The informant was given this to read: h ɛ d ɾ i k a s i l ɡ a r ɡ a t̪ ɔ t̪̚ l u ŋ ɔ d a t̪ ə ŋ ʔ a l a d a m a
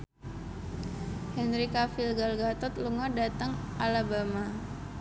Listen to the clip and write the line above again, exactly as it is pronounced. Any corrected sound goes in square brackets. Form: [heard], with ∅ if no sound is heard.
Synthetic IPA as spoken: h ɛ [n] ɾ i k a [f] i l ɡ a [l] ɡ a t̪ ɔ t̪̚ l u ŋ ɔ d a t̪ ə ŋ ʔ a l a [b] a m a